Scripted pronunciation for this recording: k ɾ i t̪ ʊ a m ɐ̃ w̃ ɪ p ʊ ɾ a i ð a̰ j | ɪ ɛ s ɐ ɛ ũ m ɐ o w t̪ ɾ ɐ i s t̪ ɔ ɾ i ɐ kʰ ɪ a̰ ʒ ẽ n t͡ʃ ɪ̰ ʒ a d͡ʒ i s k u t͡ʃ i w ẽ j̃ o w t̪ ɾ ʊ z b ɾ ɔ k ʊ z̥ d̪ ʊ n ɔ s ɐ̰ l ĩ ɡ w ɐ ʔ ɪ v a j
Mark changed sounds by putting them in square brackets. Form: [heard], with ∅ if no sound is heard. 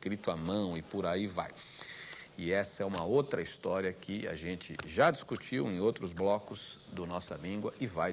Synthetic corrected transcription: k ɾ i t̪ ʊ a m ɐ̃ w̃ ɪ p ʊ ɾ a i [v] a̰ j | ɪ ɛ s ɐ ɛ ũ m ɐ o w t̪ ɾ ɐ i s t̪ ɔ ɾ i ɐ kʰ ɪ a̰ ʒ ẽ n t͡ʃ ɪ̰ ʒ a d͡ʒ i s k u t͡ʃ i w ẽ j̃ o w t̪ ɾ ʊ z b [l] ɔ k ʊ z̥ d̪ ʊ n ɔ s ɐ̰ l ĩ ɡ w ɐ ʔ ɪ v a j